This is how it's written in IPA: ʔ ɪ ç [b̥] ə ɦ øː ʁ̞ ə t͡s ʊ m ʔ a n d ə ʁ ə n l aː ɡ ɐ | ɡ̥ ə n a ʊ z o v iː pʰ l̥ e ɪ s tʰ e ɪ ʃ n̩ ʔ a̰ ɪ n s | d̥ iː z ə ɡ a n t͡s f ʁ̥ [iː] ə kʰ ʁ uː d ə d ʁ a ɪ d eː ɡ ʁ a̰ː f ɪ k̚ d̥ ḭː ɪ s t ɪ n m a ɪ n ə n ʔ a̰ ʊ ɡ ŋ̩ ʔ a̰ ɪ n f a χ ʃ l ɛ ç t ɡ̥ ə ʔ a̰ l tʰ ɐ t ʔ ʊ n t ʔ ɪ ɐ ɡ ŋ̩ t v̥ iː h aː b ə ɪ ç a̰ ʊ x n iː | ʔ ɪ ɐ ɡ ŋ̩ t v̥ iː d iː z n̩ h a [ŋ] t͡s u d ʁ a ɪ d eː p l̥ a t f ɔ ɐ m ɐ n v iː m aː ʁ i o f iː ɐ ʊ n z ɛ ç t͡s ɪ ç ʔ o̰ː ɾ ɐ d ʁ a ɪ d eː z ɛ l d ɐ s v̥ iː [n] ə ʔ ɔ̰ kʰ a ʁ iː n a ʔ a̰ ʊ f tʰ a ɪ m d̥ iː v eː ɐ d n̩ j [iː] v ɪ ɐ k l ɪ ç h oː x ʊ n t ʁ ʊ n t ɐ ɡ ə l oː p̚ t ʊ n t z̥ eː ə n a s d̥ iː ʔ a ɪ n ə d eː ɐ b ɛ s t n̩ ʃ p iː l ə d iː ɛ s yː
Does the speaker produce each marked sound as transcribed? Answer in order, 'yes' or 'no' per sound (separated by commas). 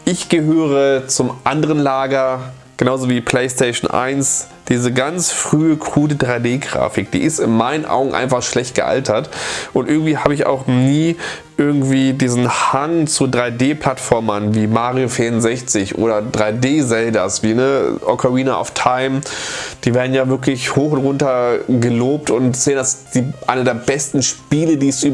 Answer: no, no, yes, yes, no